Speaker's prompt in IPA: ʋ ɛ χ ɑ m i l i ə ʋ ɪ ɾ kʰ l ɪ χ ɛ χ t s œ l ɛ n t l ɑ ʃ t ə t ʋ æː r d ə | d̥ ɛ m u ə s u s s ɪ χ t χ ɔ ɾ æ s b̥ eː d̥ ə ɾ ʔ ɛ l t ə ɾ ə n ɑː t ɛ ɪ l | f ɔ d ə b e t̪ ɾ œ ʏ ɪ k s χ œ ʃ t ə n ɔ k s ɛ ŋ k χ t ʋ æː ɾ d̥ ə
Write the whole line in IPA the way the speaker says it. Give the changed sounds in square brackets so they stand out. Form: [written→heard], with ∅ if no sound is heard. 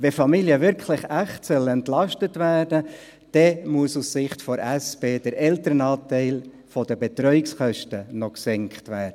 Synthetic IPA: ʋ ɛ [χ→f] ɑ m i l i ə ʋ ɪ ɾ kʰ l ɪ χ [ɛ→æ] χ t s œ l ɛ n t l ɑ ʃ t ə t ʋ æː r d ə | d̥ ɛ m u ə s u s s ɪ χ t [χ→f] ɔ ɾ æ s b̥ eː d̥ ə ɾ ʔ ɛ l t ə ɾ ə n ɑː t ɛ ɪ l | f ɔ d ə b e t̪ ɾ œ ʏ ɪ k s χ œ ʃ t ə n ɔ k s ɛ ŋ k χ t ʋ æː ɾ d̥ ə

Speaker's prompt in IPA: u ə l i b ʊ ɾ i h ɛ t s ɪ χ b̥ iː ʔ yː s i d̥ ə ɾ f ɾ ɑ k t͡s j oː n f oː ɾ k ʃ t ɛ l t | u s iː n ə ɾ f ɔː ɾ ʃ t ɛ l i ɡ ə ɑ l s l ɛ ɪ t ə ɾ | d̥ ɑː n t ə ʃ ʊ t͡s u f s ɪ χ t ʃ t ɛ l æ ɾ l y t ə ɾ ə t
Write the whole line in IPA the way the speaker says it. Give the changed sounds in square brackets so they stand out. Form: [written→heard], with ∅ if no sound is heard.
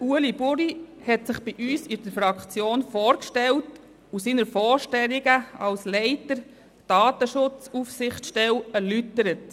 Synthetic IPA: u ə l i b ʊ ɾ i h ɛ t s ɪ χ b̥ [iː→i] ʔ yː s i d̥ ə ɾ f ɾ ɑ k t͡s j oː n f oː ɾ k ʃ t ɛ l t | u s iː n ə ɾ f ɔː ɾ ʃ t ɛ l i ɡ ə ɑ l s l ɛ ɪ t ə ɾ | d̥ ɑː [n→∅] t ə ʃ ʊ t͡s u f s ɪ χ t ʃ t ɛ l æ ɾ l y t ə ɾ ə t

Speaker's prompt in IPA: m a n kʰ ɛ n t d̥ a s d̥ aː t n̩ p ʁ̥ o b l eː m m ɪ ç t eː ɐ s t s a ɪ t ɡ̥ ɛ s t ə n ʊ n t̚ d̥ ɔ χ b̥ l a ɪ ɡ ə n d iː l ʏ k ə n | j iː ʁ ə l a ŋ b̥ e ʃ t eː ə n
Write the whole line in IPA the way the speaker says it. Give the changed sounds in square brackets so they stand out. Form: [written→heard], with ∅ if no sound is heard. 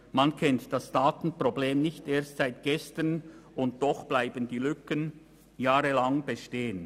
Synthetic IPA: m a n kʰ ɛ n t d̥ a s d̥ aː t n̩ p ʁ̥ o b l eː m [m→n] ɪ ç t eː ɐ s t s a ɪ t ɡ̥ ɛ s t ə n ʊ n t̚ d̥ ɔ χ b̥ l a ɪ [ɡ→b] ə n d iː l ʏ k ə n | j [iː→aː] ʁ ə l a ŋ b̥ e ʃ t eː ə n

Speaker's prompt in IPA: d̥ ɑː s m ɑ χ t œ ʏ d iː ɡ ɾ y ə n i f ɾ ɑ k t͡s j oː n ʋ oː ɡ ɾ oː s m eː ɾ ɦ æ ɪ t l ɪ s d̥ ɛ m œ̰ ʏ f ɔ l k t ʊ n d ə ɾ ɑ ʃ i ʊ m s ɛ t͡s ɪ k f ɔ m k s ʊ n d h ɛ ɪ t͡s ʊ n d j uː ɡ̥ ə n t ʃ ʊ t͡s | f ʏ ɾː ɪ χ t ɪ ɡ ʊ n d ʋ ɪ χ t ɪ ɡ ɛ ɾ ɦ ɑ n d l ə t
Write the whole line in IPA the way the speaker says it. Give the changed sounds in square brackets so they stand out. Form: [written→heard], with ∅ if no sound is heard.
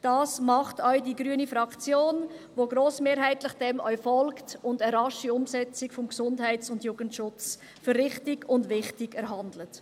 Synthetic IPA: d̥ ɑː s m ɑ χ t œ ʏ d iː ɡ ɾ y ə n i f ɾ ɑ k t͡s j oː n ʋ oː ɡ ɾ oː s m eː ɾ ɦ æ ɪ t l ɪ [s→χ] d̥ ɛ m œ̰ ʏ f ɔ l k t ʊ n d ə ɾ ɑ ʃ i ʊ m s ɛ t͡s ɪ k f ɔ m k s ʊ n d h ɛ ɪ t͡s ʊ n d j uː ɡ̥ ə n t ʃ ʊ t͡s | f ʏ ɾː ɪ χ t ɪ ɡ ʊ n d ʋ ɪ χ t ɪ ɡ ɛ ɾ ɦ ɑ n d l ə t

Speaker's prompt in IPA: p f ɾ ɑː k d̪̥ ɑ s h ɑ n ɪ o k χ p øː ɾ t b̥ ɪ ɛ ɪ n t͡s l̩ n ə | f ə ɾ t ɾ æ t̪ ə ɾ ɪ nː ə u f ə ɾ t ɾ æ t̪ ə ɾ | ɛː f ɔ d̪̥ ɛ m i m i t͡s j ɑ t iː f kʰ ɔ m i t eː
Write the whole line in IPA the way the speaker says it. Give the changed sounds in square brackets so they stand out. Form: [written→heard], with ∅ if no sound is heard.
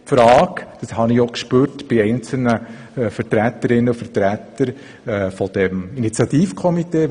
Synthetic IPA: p f ɾ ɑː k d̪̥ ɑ s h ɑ n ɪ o k [χ→ʃ] p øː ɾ t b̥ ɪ ɛ ɪ n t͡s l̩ n ə | f ə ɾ t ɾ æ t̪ ə ɾ ɪ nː ə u f ə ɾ t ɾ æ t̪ ə ɾ | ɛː f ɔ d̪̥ ɛ m i [m→n] i t͡s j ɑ t iː f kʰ ɔ m i t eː

